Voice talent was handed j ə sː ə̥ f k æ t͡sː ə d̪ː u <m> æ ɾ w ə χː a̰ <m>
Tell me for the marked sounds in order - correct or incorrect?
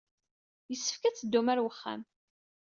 correct, correct

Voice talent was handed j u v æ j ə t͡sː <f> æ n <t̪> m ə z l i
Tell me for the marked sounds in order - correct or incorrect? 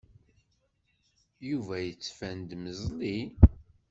correct, incorrect: d̪

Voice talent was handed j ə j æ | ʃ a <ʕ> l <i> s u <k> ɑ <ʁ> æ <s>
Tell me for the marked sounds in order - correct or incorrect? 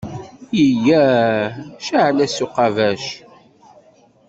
correct, incorrect: æ, incorrect: q, incorrect: v, incorrect: ʃ

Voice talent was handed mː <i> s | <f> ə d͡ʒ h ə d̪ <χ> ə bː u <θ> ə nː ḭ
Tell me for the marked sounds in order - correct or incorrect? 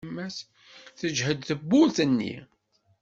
incorrect: æ, incorrect: θ, incorrect: θ, correct

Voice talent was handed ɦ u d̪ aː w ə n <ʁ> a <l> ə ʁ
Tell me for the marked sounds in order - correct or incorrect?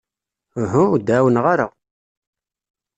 correct, incorrect: ɾ

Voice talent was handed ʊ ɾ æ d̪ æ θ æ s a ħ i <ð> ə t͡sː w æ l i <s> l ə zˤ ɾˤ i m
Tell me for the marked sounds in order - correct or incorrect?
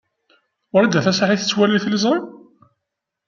incorrect: θ, incorrect: θ

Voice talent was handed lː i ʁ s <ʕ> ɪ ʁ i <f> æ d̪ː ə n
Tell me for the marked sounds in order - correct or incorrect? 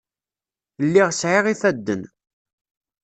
correct, incorrect: θ

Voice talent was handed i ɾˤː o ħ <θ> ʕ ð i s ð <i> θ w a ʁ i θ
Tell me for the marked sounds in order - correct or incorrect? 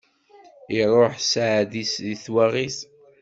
incorrect: s, correct

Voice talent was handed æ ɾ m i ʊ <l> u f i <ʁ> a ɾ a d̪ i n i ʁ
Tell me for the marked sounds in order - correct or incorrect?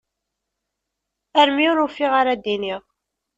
incorrect: ɾ, correct

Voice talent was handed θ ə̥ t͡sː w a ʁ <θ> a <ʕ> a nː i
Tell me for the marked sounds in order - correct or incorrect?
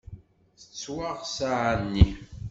incorrect: s, correct

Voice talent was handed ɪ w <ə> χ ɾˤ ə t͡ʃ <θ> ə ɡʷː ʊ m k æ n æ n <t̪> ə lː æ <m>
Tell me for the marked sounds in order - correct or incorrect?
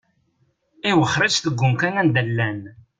correct, correct, incorrect: d̪, incorrect: n

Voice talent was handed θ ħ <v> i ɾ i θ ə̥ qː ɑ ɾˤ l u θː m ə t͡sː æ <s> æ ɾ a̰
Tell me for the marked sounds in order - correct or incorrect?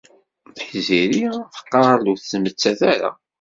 incorrect: z, incorrect: θ

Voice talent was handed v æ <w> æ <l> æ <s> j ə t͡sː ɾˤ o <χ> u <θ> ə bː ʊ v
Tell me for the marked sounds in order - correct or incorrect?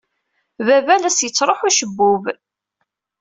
incorrect: v, correct, correct, incorrect: ħ, incorrect: ʃ

